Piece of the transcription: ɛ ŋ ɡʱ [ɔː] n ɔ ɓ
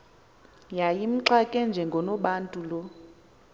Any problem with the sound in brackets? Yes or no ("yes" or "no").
yes